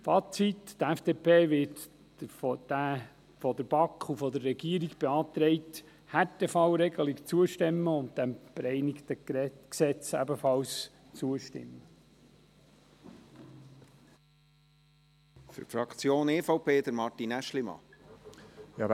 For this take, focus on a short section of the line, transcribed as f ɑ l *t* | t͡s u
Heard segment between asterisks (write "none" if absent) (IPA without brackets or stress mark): s